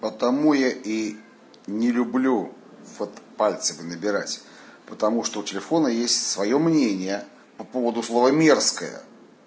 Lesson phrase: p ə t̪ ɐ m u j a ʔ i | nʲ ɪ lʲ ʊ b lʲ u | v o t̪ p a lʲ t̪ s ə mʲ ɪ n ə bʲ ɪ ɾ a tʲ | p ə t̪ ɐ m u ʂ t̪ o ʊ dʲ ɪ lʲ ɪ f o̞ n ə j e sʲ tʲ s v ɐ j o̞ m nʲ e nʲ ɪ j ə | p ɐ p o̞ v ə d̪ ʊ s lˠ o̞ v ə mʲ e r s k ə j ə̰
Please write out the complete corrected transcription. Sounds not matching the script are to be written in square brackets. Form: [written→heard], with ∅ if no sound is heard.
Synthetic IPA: p ə t̪ ɐ m u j a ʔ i | nʲ ɪ lʲ ʊ b lʲ u | v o t̪ p a lʲ t̪ s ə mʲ ɪ n ə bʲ ɪ ɾ a tʲ | p ə t̪ ɐ m u ʂ t̪ o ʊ [dʲ→tʲ] ɪ lʲ ɪ f o̞ n ə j e sʲ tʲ s v ɐ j o̞ m nʲ e nʲ ɪ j ə | p ɐ p o̞ v ə d̪ ʊ s lˠ o̞ v ə mʲ e r s k ə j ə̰